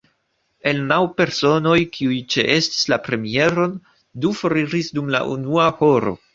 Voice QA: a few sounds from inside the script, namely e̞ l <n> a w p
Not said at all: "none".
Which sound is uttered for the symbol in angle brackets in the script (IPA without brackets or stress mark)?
n